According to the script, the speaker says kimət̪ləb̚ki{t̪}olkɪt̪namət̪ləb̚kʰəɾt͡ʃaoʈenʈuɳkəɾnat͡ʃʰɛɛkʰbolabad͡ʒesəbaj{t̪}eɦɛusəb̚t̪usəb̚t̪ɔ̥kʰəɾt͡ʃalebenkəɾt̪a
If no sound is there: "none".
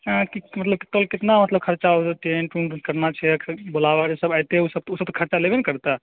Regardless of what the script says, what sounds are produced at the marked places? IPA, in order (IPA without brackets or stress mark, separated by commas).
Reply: t̪, t̪